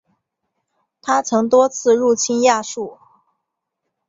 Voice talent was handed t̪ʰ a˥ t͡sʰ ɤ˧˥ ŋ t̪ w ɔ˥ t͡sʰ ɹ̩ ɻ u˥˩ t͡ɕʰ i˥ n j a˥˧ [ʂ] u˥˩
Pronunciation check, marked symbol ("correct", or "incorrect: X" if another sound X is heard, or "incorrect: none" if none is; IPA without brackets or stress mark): correct